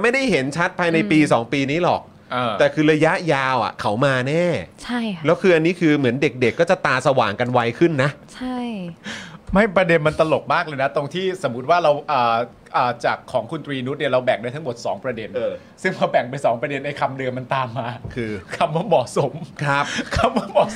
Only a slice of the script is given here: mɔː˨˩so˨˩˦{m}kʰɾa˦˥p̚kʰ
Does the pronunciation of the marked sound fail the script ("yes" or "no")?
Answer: no